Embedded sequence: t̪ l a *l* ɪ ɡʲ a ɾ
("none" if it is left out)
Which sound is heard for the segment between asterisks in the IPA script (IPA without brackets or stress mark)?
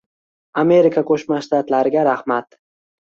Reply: ɾ